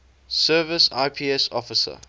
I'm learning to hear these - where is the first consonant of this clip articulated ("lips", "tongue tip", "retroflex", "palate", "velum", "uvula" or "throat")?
tongue tip